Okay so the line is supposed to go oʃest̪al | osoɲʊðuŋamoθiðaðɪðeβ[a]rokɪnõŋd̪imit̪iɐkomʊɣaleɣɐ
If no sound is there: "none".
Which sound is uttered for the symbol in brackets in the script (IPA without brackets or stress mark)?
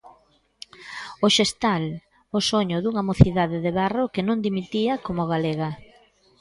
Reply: a